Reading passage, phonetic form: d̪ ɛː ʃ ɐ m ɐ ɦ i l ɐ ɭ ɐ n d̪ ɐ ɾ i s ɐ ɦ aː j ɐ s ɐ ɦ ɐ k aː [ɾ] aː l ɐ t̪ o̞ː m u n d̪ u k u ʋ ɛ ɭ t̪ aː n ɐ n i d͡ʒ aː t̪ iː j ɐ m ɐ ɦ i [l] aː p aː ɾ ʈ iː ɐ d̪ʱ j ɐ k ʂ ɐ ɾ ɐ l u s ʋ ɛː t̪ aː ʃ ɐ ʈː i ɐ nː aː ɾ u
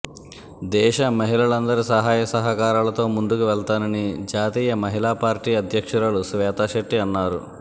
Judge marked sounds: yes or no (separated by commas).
yes, yes